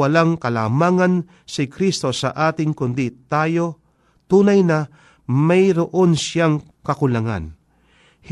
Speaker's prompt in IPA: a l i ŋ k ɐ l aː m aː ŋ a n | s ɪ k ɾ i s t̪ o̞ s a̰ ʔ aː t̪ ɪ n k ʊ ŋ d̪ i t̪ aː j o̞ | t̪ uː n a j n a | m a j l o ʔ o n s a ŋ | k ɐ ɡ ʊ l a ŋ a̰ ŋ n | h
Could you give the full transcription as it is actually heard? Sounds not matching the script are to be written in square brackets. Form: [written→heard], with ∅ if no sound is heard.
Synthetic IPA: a l [i→a] ŋ k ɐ l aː m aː ŋ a n | s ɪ k ɾ i s t̪ o̞ s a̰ ʔ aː t̪ ɪ [n→ŋ] k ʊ [ŋ→n] d̪ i t̪ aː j o̞ | t̪ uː n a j n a | m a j [l→ɾ] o ʔ o n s a ŋ | k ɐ [ɡ→k] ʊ l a ŋ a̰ [ŋ→∅] n | h